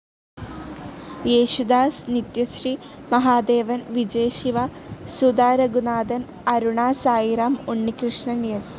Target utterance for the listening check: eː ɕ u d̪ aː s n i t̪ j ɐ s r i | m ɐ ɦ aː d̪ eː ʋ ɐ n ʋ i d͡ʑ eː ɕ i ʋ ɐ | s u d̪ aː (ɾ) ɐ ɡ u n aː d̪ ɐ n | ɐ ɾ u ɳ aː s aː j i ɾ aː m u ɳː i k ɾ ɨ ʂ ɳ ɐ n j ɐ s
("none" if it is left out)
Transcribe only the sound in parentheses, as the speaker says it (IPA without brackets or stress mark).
ɾ